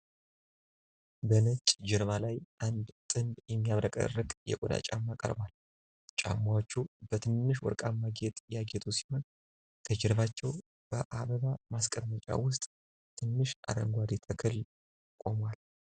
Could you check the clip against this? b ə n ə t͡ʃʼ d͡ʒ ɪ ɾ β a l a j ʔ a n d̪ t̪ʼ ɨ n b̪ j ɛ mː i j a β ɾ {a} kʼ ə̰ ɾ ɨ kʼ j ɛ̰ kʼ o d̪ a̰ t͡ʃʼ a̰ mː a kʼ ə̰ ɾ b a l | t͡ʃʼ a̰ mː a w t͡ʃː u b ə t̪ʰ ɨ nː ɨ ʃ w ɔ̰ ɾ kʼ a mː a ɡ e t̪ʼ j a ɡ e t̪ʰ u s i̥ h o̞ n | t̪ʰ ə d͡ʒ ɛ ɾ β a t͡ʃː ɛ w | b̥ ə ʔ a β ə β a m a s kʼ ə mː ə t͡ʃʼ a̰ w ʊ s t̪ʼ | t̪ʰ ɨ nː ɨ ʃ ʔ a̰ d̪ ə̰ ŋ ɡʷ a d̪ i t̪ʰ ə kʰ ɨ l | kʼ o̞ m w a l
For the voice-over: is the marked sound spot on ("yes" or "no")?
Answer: no